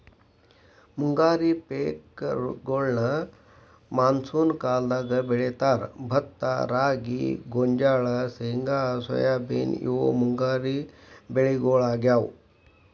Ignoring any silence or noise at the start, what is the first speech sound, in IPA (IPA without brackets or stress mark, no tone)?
m